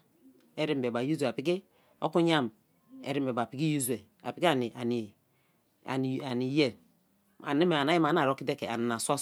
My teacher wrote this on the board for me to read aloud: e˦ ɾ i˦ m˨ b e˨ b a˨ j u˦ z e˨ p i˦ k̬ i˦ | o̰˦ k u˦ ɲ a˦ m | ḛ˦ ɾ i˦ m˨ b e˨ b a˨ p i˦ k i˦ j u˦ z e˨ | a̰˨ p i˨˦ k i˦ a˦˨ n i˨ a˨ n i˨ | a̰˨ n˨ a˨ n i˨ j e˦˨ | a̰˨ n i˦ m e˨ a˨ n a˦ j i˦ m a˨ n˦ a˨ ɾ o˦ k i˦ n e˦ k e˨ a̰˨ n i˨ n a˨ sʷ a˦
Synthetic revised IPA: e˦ ɾ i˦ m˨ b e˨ b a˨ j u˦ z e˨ p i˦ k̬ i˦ | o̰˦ k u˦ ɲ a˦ m | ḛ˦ ɾ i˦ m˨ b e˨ b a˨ p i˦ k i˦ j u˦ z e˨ | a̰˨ p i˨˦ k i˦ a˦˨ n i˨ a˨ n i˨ | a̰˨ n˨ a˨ n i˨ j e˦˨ | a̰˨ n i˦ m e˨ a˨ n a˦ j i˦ m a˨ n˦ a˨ ɾ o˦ k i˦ d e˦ k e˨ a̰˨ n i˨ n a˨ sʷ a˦